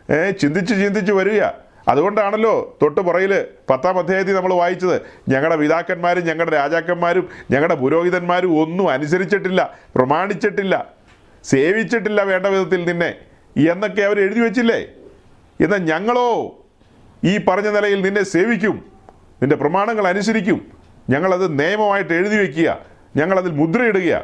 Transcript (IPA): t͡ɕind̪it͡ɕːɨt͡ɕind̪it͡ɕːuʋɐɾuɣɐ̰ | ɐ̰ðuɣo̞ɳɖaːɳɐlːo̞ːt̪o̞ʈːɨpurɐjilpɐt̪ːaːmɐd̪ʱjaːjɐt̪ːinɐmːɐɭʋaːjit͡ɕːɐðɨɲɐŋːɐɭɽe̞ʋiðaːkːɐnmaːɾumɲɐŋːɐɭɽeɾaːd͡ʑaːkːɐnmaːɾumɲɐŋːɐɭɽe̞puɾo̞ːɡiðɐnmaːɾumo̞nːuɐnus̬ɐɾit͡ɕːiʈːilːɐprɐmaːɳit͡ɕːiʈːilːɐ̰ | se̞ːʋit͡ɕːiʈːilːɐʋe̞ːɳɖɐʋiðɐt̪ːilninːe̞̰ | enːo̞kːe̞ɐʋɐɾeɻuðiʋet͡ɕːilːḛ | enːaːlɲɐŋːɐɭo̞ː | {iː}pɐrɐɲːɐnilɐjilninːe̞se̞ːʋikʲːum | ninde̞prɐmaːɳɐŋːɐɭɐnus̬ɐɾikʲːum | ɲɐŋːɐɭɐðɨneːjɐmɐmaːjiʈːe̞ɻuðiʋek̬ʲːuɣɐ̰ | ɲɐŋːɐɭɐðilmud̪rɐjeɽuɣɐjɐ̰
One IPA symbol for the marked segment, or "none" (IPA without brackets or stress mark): iː